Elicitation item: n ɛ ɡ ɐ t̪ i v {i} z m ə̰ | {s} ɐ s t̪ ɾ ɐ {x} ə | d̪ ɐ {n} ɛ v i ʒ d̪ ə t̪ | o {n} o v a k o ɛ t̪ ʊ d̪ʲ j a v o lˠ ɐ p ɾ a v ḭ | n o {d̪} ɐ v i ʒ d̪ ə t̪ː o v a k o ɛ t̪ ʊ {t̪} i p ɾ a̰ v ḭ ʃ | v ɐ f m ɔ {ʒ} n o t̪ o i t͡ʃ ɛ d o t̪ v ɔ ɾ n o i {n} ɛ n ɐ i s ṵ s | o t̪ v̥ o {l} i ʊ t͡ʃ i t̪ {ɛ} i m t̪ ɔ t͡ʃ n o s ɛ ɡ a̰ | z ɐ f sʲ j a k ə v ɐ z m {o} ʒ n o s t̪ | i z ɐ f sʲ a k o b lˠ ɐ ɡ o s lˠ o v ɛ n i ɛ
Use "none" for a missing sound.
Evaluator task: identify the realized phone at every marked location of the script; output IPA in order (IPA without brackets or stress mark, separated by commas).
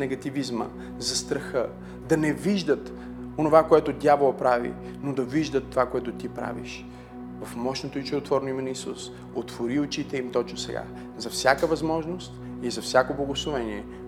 i, z, x, n, n, d̪, t̪, ʃ, m, ɾ, ɛ, ɔ